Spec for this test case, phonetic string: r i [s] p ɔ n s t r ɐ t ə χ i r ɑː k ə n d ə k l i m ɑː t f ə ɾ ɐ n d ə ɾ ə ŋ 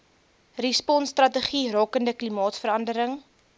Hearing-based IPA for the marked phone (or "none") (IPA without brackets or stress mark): s